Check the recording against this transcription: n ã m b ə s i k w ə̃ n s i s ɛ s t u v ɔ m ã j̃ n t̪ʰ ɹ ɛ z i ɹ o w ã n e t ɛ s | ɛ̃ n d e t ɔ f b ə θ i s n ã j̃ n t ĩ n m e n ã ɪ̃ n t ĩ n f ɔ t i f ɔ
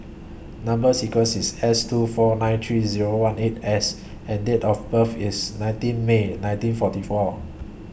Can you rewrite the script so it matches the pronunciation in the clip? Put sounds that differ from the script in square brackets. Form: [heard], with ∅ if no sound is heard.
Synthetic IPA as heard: n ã m b ə s i k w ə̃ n s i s ɛ s t u [f] ɔ [n] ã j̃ n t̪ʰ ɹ [i] z i ɹ o w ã n e t ɛ s | ɛ̃ n d e t ɔ f b ə [f] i s n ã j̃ n t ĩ n m e n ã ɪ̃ n t ĩ n f ɔ t i f ɔ

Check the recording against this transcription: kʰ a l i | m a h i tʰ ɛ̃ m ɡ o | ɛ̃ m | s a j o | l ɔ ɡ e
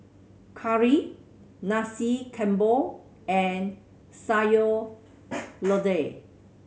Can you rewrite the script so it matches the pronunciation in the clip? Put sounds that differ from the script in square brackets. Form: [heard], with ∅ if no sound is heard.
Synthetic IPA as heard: kʰ a [ɹ] i | [n] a [s] i [kʰ] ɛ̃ m [b] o | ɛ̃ [n] | s a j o | l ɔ [d] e

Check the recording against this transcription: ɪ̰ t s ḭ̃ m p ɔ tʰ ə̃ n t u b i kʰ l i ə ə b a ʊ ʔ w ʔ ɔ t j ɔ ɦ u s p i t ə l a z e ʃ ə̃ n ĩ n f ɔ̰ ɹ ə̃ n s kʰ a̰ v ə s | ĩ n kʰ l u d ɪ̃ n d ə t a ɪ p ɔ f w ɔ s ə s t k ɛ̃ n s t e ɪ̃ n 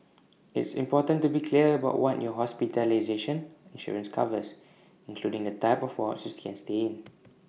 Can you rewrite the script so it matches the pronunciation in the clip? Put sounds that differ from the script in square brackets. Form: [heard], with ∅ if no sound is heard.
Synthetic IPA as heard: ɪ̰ t s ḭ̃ m p ɔ [t] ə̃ n t u b i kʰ l i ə ə b a ʊ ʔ w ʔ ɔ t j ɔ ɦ [ɔ] s p i t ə l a z e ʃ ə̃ n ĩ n [ʃ] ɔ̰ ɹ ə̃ n s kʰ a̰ v ə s | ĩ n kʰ l u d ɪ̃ [ŋ] d ə t a ɪ p ɔ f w ɔ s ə s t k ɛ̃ n s t e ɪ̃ n

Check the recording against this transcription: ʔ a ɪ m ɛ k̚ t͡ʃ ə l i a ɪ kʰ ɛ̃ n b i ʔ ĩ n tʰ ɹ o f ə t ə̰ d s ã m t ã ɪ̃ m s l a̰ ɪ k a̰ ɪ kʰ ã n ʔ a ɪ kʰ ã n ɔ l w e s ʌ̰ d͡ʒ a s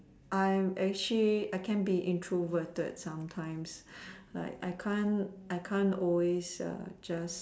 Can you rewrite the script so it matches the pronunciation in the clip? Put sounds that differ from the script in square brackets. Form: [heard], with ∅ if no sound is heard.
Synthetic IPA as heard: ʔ a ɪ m ɛ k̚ t͡ʃ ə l i a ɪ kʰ ɛ̃ n b i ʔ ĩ n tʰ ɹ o [v] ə t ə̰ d s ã m [tʰ] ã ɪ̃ m s l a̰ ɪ k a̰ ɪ kʰ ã n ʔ a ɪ kʰ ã n ɔ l w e s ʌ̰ d͡ʒ a s

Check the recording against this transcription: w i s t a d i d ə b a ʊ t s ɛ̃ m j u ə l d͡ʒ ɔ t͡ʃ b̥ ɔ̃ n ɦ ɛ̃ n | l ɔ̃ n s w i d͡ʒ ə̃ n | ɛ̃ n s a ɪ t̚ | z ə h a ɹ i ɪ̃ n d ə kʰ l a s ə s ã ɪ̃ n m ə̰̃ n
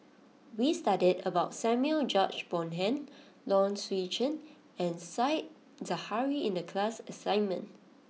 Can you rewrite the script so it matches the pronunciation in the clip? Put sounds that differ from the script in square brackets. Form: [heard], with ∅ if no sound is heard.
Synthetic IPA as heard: w i s t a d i d ə b a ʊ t s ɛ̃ m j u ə l d͡ʒ ɔ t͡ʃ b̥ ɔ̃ n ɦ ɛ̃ n | l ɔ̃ n s w i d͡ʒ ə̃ n | ɛ̃ n s a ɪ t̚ | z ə h a ɹ i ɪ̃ n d ə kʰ l a s ə s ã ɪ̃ n m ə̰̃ n

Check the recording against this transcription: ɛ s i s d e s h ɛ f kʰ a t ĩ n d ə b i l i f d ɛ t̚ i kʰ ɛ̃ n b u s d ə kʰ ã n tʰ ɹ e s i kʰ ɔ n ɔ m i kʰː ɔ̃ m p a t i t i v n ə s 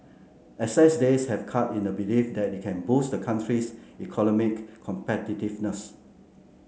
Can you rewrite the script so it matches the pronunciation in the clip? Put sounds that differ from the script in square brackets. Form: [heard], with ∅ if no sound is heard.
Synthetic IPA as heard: ɛ s [ɛ] s d e s h ɛ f kʰ a t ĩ n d ə b i l i f d ɛ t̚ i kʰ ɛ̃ n b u s d ə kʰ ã n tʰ ɹ [i] s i kʰ ɔ n ɔ m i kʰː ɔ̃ m p [ɛ] t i t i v n ə s

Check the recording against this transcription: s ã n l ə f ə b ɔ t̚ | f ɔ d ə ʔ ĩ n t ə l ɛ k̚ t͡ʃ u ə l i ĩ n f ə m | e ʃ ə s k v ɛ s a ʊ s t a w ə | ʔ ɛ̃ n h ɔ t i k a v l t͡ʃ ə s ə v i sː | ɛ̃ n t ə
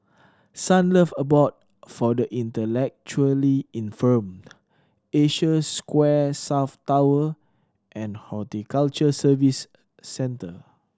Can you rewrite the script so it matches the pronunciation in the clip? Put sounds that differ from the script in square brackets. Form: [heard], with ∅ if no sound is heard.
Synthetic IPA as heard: s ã n l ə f ə b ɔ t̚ | f ɔ d ə ʔ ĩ n t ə l ɛ k̚ t͡ʃ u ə l i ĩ n f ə m | e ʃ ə s k [w] ɛ s a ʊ [f] t a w ə | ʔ ɛ̃ n h ɔ t i k a [∅] l t͡ʃ ə s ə v i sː | ɛ̃ n t ə

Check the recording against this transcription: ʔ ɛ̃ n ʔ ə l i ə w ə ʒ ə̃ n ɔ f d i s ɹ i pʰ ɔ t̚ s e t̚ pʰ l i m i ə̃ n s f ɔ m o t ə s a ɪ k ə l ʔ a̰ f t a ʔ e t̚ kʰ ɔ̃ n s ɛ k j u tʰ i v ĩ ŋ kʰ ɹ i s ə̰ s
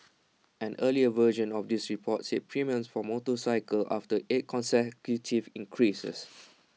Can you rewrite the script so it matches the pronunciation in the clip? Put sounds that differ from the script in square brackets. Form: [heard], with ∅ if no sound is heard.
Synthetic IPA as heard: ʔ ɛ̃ n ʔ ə l i ə [v] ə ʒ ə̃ n ɔ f d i s ɹ i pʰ ɔ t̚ s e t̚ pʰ [ɹ] i m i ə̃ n s f ɔ m o t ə s a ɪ k ə l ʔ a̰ f t [ə] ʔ e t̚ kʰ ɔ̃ n s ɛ k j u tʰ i v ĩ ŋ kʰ ɹ i s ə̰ s

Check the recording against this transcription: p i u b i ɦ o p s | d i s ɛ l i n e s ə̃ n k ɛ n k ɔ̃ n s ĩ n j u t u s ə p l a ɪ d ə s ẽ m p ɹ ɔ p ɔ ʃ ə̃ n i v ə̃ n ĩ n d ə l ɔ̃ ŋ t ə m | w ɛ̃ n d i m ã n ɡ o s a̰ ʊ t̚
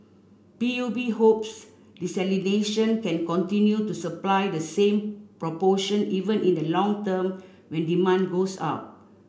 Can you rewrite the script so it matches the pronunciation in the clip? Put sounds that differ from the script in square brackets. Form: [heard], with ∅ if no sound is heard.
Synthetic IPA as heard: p i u b i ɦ o p s | d i s ɛ l i n e [ʃ] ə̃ n k [ɛ̃] n k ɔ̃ n [t] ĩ n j u t u s ə p l a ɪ d ə s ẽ m p ɹ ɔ p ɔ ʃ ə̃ n i v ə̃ n ĩ n d ə l ɔ̃ ŋ t ə m | w ɛ̃ n d i m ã n ɡ o s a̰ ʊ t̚

